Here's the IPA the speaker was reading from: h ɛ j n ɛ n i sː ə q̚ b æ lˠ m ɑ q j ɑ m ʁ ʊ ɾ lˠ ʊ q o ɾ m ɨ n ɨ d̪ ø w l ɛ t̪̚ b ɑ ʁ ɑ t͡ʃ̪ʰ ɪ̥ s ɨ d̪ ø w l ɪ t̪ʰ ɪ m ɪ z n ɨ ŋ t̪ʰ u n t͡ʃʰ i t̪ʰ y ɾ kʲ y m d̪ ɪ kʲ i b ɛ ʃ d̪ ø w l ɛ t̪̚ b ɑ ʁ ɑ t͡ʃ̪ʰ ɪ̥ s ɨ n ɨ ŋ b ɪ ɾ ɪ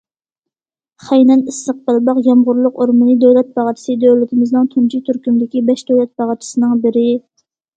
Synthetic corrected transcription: χ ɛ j n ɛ n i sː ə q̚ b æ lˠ b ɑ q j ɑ m ʁ ʊ ɾ lˠ ʊ q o ɾ m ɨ n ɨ d̪ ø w l ɛ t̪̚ b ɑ ʁ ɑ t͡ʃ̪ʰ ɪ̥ s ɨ d̪ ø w l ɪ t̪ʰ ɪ m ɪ z n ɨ ŋ t̪ʰ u n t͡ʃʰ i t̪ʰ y ɾ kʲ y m d̪ ɪ kʲ i b ɛ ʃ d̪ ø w l ɛ t̪̚ b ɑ ʁ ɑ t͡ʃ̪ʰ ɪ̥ s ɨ n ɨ ŋ b ɪ ɾ ɪ